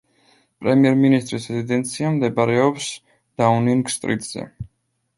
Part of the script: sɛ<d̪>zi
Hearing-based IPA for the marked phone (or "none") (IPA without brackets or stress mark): none